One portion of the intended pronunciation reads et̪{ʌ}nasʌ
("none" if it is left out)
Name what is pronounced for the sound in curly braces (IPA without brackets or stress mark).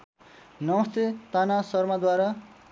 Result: a